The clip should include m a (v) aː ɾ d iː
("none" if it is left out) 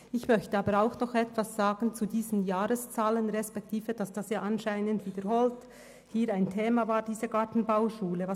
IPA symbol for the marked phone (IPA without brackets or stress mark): v